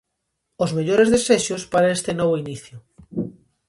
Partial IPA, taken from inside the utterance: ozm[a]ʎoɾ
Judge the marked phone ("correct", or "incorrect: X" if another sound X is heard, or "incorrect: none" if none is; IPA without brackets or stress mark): incorrect: e